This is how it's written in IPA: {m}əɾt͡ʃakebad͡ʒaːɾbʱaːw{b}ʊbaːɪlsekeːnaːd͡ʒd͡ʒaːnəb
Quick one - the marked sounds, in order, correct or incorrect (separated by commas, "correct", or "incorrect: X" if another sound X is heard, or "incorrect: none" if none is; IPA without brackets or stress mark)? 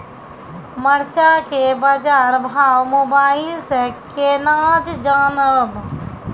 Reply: correct, incorrect: m